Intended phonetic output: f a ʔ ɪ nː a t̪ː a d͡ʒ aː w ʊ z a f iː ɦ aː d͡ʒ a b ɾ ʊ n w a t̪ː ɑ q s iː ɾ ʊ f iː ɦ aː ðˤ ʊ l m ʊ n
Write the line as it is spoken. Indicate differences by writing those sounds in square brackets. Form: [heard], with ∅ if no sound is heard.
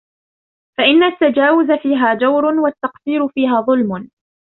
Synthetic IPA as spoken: f a ʔ ɪ nː a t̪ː a d͡ʒ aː w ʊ z a f iː ɦ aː d͡ʒ a [w] ɾ ʊ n w a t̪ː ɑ q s iː ɾ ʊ f iː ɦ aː ðˤ ʊ l m ʊ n